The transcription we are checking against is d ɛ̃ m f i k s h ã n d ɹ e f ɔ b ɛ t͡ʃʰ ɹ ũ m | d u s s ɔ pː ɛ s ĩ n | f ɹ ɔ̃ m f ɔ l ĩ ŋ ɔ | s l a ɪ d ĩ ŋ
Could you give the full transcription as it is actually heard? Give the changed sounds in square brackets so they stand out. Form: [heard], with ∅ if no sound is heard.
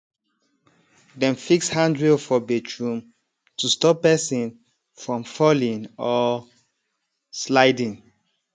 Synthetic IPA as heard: d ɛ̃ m f i k s h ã n d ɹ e f ɔ b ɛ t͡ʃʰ ɹ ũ m | [t] u s [t] ɔ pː ɛ s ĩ n | f ɹ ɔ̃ m f ɔ l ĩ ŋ ɔ | s l a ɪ d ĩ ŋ